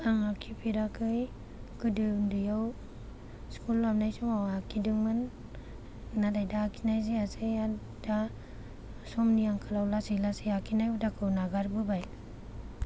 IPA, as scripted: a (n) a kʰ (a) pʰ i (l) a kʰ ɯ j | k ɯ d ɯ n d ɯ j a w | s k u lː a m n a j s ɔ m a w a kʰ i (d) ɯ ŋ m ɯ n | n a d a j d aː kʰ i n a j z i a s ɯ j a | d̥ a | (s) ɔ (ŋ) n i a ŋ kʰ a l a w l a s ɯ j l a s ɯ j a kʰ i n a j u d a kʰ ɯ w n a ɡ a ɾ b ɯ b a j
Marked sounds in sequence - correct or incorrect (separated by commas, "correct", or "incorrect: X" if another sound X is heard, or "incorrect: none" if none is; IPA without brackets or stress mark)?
incorrect: ŋ, incorrect: i, incorrect: ɾ, correct, correct, incorrect: m